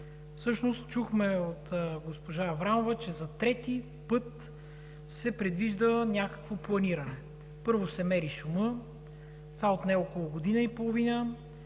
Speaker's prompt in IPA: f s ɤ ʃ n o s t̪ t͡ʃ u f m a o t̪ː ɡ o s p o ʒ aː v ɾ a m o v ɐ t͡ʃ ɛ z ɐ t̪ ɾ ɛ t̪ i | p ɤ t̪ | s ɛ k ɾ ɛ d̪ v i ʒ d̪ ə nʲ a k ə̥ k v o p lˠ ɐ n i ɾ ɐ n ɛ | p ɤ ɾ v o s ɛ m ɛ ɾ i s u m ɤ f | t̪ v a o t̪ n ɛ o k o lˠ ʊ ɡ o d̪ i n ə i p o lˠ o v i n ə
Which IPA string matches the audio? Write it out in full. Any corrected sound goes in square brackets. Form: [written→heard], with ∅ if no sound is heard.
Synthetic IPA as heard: f s ɤ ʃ n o s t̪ t͡ʃ u [f→x] m [a→ɛ] o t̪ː ɡ o s p o ʒ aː v ɾ a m o v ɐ t͡ʃ ɛ z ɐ t̪ ɾ ɛ t̪ i | p ɤ t̪ | s ɛ [k→p] ɾ ɛ d̪ v i ʒ d̪ ə nʲ a k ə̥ k v o p lˠ ɐ n i ɾ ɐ n ɛ | p ɤ ɾ v o s ɛ m ɛ ɾ i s u m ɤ [f→∅] | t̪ v a o t̪ n ɛ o k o lˠ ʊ ɡ o d̪ i n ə i p o lˠ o v i n ə